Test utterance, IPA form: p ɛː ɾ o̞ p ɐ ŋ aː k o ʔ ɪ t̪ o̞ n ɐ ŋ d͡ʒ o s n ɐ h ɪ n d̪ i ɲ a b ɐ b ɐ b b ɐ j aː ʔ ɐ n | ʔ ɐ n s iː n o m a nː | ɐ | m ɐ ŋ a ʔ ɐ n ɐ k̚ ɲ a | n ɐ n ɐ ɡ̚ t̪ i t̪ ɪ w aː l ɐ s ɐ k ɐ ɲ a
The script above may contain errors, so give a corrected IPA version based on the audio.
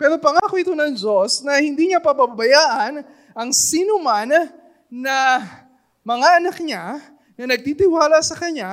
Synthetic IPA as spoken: p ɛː ɾ o̞ p ɐ ŋ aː k o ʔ ɪ t̪ o̞ n ɐ ŋ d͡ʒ o s n ɐ h ɪ n d̪ i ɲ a p ɐ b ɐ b b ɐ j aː ʔ ɐ n | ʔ ɐ ŋ s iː n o m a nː | ɐ | m ɐ ŋ a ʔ ɐ n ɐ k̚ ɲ a | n ɐ n ɐ ɡ̚ t̪ i t̪ ɪ w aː l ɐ s ɐ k ɐ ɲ a